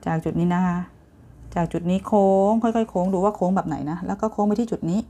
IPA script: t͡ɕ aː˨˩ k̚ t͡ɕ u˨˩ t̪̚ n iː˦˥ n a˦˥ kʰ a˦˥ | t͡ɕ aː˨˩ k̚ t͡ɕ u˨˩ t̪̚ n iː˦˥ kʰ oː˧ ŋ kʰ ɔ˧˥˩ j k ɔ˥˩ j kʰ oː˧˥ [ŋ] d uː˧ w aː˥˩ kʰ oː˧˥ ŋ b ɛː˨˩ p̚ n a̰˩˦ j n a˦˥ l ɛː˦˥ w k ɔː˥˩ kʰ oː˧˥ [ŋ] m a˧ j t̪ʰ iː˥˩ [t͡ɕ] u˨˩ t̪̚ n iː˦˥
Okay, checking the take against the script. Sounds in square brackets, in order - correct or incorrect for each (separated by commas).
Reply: correct, correct, correct